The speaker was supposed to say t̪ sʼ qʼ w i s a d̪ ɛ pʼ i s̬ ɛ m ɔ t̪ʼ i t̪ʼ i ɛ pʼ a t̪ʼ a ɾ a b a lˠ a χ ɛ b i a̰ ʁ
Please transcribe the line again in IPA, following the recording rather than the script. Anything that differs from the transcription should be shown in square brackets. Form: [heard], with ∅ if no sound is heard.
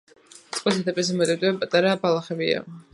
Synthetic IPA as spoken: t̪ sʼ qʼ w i s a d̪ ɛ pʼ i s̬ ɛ m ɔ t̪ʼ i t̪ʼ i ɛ pʼ a t̪ʼ a ɾ a b a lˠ a χ ɛ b i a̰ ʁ